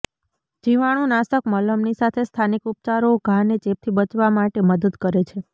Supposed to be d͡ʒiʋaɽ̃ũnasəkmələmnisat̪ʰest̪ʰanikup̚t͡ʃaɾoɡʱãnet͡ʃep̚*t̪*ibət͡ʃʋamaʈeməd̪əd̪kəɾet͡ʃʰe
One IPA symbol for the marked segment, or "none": t̪ʰ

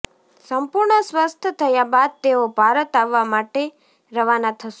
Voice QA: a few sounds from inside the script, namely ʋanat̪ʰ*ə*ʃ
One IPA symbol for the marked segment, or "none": ə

